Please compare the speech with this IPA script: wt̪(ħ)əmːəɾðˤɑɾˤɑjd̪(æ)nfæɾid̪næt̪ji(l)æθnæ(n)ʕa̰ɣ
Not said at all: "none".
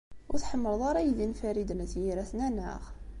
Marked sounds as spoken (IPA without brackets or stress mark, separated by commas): ħ, i, ɾ, n